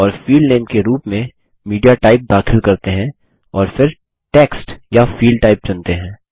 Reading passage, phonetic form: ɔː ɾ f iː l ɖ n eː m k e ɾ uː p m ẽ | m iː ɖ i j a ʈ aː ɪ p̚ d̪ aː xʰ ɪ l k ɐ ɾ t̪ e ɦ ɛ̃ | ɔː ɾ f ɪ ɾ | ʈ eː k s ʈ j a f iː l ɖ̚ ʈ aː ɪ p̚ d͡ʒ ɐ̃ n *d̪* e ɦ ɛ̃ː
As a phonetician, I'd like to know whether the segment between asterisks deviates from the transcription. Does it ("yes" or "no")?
yes